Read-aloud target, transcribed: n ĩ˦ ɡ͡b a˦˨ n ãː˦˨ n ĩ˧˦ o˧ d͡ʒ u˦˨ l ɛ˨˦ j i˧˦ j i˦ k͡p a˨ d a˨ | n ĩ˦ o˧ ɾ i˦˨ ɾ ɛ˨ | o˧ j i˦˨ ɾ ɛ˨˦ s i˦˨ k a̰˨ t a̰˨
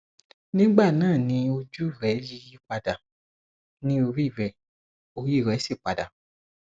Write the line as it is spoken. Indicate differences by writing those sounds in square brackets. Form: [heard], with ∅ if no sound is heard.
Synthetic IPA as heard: n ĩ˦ ɡ͡b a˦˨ n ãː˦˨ n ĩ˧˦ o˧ d͡ʒ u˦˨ [ɾ] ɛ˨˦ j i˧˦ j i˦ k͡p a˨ d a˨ | n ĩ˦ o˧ ɾ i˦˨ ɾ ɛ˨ | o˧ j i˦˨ ɾ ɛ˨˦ s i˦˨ [k͡p] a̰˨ [d] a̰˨